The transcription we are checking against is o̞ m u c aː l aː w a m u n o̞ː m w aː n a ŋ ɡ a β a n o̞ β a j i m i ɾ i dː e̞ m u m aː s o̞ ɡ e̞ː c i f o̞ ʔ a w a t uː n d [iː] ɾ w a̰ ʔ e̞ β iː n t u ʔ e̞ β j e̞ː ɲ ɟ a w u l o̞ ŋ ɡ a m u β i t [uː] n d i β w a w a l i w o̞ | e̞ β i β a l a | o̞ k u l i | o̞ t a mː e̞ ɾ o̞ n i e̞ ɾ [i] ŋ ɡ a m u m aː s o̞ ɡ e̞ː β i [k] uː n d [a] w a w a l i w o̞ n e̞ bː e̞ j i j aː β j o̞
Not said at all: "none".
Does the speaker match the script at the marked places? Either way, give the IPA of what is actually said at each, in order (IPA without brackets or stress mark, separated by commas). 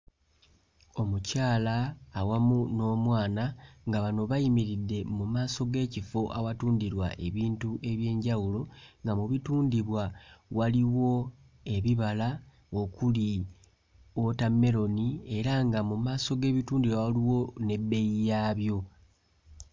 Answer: i, uː, a, t, i